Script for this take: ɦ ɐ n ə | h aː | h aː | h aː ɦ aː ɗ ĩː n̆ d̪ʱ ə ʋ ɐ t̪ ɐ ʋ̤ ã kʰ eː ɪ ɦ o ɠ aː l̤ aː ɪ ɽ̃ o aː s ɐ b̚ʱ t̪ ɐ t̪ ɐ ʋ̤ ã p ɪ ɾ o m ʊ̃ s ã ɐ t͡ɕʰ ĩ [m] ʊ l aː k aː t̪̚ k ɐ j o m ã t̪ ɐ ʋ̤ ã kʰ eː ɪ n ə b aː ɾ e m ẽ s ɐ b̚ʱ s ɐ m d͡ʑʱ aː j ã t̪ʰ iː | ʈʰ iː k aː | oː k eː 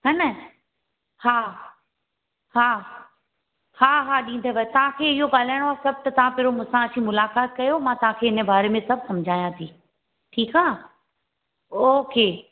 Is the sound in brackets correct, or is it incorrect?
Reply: correct